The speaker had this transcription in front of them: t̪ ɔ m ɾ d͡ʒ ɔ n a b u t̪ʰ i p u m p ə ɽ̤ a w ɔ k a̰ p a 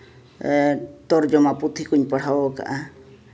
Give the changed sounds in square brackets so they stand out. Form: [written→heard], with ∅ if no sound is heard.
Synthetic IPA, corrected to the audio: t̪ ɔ [m→∅] ɾ d͡ʒ ɔ [n→m] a [b→p] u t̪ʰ i [p→k] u [m→ɲ] p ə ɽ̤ a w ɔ k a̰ [p→ʔ] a